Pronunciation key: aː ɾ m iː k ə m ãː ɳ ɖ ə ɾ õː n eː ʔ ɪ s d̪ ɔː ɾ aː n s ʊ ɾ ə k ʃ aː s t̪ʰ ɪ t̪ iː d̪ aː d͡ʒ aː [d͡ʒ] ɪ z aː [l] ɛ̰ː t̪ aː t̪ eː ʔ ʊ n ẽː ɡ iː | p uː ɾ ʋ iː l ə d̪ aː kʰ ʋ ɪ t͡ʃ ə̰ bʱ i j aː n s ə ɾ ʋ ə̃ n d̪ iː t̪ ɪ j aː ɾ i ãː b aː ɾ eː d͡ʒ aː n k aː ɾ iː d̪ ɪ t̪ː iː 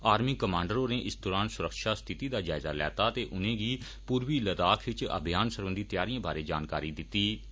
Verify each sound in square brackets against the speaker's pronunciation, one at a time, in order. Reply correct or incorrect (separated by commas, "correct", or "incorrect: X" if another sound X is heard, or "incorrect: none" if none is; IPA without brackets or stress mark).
incorrect: none, correct